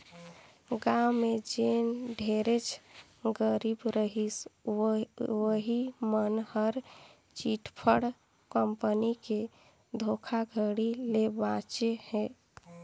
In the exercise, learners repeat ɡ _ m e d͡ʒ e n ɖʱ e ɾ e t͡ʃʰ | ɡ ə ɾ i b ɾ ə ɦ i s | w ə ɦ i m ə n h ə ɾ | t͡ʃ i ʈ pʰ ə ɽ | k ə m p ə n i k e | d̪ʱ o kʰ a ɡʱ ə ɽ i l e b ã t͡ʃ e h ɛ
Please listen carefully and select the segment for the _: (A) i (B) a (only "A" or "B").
B